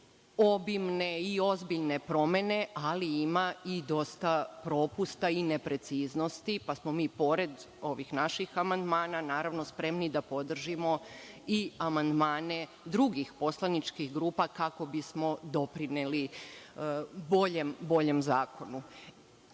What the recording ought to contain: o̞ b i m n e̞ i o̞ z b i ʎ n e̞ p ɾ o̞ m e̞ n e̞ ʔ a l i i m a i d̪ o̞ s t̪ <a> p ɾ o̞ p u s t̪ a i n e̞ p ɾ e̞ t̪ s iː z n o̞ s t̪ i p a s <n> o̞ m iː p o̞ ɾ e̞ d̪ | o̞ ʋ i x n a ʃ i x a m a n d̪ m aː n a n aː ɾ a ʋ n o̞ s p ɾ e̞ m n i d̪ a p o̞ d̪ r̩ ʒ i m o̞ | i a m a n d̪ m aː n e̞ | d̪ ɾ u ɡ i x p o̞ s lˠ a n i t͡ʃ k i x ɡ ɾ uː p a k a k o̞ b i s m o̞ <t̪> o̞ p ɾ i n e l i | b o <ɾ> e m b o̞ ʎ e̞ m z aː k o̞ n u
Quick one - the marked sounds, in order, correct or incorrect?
correct, incorrect: m, incorrect: d̪, incorrect: ʎ

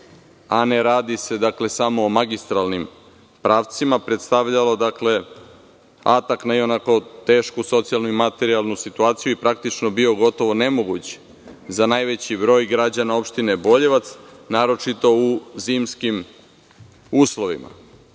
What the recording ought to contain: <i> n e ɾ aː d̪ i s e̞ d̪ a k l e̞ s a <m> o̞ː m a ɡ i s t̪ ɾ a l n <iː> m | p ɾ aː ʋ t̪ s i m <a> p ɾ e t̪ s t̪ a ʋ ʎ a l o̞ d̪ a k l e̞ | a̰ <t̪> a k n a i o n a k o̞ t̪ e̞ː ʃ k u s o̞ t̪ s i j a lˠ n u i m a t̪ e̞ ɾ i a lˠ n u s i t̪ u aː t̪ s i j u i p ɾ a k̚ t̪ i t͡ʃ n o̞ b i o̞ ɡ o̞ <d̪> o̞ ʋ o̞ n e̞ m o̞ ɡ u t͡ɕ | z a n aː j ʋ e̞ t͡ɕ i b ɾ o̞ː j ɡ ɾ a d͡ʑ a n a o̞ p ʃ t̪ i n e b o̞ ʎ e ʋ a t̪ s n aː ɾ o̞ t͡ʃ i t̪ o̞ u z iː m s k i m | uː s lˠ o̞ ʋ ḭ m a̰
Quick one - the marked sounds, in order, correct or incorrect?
incorrect: a, correct, incorrect: i, correct, correct, incorrect: t̪

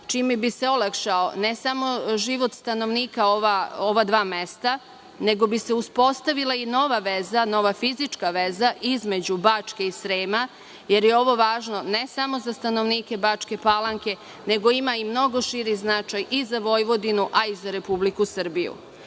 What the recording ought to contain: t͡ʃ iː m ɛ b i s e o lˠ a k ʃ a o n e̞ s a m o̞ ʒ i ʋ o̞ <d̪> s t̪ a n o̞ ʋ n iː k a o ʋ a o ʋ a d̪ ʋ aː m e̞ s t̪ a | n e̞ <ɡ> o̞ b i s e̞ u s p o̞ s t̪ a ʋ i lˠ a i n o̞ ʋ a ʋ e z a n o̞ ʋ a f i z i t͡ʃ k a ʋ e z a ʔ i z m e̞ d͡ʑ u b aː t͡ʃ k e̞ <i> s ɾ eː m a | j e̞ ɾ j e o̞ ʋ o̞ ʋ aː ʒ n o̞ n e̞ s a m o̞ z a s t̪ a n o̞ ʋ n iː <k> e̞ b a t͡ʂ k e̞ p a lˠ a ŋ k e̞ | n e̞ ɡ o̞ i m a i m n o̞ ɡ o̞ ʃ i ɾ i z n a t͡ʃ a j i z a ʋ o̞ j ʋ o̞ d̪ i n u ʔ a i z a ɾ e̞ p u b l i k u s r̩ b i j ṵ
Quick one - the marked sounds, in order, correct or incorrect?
incorrect: t̪, correct, correct, correct

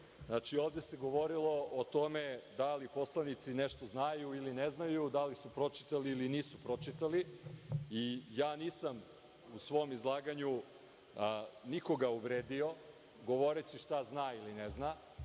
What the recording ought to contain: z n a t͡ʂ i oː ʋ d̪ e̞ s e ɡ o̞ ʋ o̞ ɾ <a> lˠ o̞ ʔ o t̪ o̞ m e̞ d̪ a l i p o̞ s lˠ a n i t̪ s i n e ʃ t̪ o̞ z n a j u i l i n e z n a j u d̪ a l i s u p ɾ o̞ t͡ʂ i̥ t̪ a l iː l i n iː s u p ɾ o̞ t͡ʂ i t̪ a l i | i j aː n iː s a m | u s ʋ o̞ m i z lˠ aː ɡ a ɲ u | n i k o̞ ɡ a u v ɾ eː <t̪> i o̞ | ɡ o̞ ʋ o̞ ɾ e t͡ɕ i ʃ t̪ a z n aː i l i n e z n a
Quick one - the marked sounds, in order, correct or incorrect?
incorrect: i, incorrect: d̪

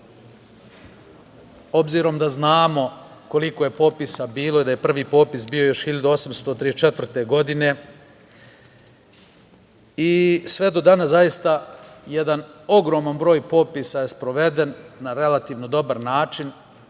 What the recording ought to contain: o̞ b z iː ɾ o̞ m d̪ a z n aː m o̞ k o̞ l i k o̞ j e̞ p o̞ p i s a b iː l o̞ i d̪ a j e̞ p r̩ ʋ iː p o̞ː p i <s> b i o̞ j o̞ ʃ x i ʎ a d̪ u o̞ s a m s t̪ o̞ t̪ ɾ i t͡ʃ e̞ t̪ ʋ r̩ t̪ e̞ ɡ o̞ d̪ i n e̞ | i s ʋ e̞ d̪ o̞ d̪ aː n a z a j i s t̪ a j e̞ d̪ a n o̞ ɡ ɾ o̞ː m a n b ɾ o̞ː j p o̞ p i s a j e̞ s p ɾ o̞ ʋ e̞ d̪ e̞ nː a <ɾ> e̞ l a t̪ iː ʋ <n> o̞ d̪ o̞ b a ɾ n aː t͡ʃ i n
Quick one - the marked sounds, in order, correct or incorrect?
correct, correct, correct

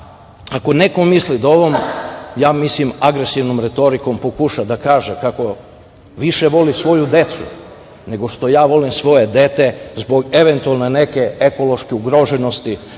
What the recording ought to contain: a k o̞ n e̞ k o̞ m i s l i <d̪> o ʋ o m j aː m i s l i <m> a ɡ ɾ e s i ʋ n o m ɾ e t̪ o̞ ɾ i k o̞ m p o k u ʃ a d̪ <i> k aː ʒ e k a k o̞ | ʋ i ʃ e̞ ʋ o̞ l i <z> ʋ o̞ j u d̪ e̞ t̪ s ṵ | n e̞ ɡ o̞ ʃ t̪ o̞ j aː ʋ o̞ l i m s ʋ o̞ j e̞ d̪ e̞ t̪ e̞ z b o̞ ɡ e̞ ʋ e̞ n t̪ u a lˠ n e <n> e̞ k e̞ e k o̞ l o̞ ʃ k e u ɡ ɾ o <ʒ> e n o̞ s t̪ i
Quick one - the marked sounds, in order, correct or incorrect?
correct, correct, incorrect: a, incorrect: s, correct, correct

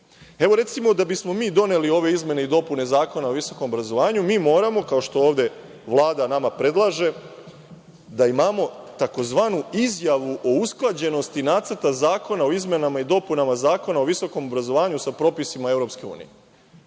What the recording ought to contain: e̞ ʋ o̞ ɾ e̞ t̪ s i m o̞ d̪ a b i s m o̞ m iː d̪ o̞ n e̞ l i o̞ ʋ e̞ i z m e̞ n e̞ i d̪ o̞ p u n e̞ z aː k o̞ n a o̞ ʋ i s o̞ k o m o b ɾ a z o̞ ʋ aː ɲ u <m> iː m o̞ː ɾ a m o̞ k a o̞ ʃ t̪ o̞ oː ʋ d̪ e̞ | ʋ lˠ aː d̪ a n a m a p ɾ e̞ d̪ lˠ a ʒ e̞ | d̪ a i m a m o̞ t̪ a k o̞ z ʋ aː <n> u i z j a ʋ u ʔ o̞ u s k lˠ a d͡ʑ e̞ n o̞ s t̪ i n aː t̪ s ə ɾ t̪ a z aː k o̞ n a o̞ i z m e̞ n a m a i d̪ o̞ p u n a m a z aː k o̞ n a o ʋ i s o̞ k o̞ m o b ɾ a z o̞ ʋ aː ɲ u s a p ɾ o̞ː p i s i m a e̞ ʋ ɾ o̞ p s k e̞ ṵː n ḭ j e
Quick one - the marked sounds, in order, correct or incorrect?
correct, correct

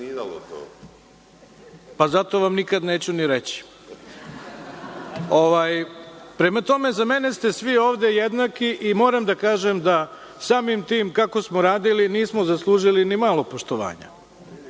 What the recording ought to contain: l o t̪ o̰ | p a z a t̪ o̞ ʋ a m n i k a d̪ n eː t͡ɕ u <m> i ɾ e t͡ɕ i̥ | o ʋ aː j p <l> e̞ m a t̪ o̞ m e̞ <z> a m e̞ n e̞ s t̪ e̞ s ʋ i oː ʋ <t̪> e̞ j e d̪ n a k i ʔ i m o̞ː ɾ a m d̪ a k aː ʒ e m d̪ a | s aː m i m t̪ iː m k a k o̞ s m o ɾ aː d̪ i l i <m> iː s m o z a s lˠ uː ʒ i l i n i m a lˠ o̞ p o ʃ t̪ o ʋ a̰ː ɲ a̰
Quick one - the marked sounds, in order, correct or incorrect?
incorrect: n, incorrect: ɾ, correct, incorrect: d̪, incorrect: n

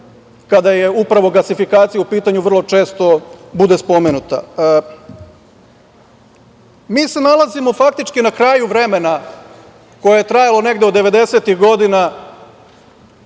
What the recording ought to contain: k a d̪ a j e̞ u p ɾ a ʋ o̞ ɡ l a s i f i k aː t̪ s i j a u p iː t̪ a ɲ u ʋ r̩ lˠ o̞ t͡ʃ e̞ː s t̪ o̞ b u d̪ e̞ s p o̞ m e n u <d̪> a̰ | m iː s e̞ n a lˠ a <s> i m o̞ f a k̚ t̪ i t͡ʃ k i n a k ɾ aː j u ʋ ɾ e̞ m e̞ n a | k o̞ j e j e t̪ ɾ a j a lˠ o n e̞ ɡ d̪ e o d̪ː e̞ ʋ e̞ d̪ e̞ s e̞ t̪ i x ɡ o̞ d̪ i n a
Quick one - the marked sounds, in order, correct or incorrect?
incorrect: t̪, incorrect: z

